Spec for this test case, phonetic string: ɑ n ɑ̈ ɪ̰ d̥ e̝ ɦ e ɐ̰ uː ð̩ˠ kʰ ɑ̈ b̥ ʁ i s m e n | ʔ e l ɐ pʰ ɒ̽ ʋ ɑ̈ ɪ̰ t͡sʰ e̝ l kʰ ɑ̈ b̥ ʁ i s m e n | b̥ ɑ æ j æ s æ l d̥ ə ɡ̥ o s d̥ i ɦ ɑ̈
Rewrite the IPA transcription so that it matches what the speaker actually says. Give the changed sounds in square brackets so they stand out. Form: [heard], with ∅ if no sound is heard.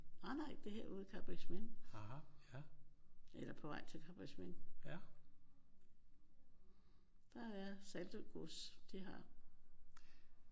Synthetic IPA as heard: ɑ n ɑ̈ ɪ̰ d̥ e̝ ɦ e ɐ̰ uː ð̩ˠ kʰ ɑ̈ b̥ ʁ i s m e n | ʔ e l ɐ pʰ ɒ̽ ʋ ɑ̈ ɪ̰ t͡sʰ e̝ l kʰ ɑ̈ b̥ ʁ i s m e n | [d̥] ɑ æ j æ s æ l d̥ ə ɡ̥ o s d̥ i ɦ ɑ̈